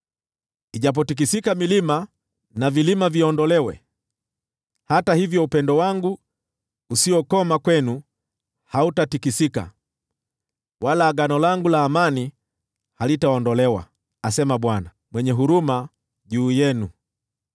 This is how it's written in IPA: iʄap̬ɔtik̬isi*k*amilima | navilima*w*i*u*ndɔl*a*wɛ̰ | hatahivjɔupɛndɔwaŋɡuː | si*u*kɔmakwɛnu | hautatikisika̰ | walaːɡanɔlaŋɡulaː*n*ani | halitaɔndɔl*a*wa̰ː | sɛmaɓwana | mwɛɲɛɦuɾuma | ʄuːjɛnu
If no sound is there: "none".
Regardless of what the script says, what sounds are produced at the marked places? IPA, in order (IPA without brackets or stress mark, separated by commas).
k, v, ɔ, ɛ, ɔ, m, ɛ